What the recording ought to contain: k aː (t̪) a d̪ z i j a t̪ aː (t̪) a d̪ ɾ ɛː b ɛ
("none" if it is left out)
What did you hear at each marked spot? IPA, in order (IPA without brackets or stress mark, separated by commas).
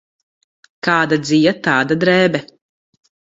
d̪, d̪